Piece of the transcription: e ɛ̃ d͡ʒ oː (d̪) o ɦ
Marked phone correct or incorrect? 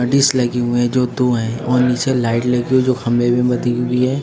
correct